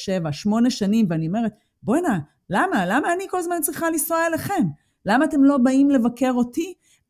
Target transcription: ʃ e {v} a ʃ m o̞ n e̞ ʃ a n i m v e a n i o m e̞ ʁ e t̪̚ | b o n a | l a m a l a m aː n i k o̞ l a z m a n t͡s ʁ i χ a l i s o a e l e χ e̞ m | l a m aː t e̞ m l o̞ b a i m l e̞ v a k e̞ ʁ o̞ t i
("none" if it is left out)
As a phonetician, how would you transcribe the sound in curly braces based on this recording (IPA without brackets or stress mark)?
v